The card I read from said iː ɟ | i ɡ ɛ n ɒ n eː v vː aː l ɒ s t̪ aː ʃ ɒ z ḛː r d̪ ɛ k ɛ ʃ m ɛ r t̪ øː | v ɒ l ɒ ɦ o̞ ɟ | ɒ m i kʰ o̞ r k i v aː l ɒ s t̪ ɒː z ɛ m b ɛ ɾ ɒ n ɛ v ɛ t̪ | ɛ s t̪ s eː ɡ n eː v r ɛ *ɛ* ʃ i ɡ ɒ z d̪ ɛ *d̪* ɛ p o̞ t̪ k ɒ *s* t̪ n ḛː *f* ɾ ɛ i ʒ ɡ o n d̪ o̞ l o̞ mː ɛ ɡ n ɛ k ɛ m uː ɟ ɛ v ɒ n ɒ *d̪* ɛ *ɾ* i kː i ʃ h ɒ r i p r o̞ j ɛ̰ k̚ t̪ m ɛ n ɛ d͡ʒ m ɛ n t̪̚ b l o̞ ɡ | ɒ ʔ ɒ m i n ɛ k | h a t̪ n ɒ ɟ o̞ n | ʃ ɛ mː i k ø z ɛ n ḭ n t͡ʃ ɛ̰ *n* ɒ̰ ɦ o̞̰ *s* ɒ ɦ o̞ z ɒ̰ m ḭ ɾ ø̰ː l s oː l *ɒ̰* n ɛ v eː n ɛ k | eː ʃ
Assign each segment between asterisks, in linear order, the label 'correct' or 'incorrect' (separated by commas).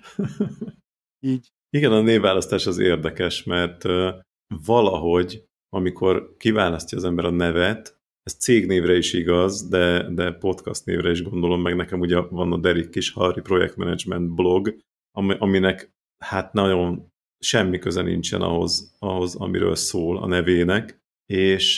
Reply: incorrect, correct, correct, incorrect, correct, correct, correct, incorrect, correct